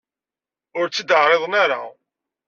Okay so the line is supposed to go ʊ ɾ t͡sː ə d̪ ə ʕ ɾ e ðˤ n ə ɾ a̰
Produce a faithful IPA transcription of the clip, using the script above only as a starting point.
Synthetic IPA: ʊ ɾ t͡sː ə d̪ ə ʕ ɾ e ðˤ n a ɾ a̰